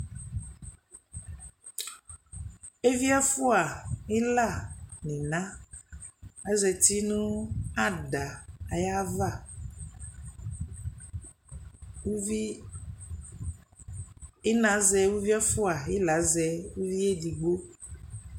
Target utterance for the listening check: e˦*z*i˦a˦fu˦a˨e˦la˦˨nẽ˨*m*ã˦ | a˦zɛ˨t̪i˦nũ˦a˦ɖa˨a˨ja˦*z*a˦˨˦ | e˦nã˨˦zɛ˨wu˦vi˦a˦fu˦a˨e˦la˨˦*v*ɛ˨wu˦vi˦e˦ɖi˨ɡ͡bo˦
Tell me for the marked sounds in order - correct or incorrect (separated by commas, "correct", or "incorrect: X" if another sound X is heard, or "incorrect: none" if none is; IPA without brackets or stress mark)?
incorrect: v, incorrect: n, incorrect: v, incorrect: z